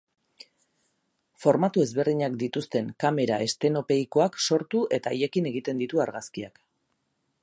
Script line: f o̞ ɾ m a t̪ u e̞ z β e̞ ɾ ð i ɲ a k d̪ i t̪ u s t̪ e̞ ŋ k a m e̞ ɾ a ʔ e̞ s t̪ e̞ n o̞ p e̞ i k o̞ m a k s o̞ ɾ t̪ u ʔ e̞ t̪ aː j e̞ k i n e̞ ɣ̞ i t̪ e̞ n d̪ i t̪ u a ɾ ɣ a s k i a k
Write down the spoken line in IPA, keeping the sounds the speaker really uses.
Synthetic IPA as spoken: f o̞ ɾ m a t̪ u e̞ z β e̞ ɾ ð i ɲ a k d̪ i t̪ u s t̪ e̞ ŋ k a m e̞ ɾ a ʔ e̞ s t̪ e̞ n o̞ p e̞ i k o̞ a k s o̞ ɾ t̪ u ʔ e̞ t̪ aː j e̞ k i n e̞ ɣ̞ i t̪ e̞ n d̪ i t̪ u a ɾ ɣ a s k i a k